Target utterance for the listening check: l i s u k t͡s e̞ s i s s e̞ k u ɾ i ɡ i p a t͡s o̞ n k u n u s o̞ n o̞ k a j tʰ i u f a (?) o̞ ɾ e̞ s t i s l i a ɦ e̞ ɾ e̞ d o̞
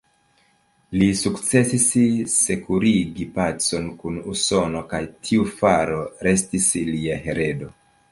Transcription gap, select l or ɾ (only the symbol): ɾ